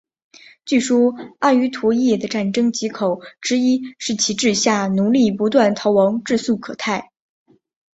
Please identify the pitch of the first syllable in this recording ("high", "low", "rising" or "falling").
falling